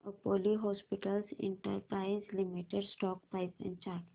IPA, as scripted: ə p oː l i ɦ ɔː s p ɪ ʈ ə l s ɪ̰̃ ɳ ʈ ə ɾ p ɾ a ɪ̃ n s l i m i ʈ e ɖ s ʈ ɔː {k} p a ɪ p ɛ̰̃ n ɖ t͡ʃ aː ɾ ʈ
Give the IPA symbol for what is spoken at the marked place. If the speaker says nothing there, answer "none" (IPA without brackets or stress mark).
k